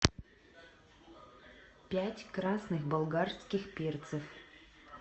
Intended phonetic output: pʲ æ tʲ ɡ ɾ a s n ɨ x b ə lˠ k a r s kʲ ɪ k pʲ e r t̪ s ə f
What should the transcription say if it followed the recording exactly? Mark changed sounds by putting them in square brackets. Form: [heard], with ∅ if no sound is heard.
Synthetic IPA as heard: pʲ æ tʲ [k] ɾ a s n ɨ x b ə lˠ [ɡ] a r s kʲ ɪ [x] pʲ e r t̪ s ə f